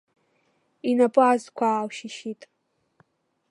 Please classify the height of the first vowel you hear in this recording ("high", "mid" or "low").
high